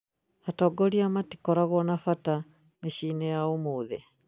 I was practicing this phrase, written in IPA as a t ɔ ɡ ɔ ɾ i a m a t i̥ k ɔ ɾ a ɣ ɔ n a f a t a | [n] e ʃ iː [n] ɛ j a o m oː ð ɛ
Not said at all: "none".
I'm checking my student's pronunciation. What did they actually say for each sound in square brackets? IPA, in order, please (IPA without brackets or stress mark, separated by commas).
m, n